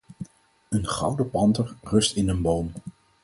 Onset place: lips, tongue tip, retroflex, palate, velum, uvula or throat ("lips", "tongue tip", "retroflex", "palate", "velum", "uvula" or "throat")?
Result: tongue tip